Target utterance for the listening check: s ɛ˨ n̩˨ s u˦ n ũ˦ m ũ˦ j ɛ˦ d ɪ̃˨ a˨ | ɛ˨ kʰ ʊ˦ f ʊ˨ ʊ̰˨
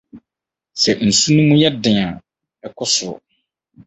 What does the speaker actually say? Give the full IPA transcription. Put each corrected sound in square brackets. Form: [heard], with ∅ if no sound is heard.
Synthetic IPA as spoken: s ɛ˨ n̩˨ s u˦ n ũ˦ m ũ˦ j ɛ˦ d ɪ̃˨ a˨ | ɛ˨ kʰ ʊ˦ [s] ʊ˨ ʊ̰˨